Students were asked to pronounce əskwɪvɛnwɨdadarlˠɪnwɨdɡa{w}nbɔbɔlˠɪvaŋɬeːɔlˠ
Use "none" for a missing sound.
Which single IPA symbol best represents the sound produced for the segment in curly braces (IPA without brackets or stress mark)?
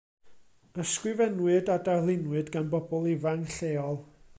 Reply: none